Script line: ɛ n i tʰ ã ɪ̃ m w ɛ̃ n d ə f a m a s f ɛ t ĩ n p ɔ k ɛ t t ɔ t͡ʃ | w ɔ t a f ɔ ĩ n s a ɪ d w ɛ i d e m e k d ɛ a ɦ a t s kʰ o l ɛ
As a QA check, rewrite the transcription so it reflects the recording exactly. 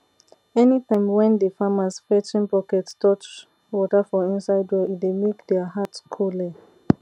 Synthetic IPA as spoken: ɛ n i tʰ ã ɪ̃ m w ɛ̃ n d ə f a m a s f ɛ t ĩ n p ɔ k ɛ t t ɔ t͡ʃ | w ɔ t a f ɔ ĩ n s a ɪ d w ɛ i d e m e k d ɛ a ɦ a t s kʰ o l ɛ